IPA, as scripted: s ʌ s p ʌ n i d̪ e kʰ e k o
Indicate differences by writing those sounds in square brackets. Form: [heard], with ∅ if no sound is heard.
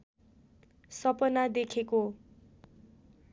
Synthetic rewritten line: s ʌ [∅] p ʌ n [a] d̪ e kʰ e k o